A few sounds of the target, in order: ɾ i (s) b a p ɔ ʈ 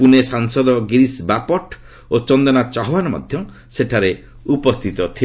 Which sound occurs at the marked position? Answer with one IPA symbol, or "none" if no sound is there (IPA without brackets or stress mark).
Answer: s